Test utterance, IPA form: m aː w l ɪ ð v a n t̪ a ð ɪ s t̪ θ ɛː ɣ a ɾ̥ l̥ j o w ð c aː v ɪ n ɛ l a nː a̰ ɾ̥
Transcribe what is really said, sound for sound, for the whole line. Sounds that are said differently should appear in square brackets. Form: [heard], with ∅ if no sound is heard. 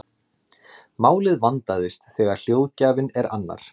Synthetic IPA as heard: m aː w l ɪ ð v a n t̪ a ð ɪ s t̪ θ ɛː ɣ a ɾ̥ l̥ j o w ð c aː v ɪ n ɛ [ɾ] a nː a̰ ɾ̥